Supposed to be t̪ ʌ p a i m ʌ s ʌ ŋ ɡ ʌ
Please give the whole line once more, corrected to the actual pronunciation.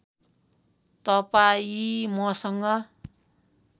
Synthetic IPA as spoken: t̪ ʌ p a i m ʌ s ʌ ŋ ɡ ʌ